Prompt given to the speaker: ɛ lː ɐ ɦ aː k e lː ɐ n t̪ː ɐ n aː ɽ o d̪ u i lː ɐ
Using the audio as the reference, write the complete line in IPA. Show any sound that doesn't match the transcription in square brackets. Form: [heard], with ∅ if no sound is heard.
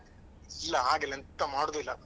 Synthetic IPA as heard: [i] lː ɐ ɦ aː [ɡ] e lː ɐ n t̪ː ɐ [m] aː ɽ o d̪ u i lː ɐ